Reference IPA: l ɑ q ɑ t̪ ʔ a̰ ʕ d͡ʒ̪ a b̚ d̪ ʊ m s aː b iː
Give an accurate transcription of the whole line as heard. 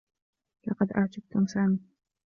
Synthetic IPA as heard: l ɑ q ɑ d̪ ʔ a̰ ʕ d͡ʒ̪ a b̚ t̪ ʊ m s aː m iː